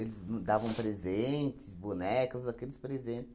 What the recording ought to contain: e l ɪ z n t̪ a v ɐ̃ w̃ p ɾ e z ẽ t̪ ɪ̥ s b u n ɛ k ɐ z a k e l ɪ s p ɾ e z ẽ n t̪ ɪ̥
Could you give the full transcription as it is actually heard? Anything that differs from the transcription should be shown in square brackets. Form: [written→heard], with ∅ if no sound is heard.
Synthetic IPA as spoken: e l ɪ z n [t̪→d̪] a v ɐ̃ w̃ p ɾ e z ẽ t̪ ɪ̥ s b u n ɛ k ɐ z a k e l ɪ s p ɾ e z ẽ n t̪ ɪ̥